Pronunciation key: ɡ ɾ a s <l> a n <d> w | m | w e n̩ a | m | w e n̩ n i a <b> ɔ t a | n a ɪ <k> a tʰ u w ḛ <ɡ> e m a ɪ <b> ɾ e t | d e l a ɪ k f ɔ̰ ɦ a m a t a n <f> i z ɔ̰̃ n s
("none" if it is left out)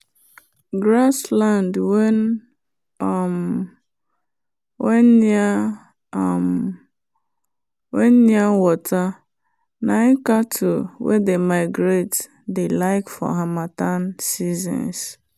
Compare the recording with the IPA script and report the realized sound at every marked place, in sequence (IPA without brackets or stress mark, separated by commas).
l, d, w, k, d, ɡ, s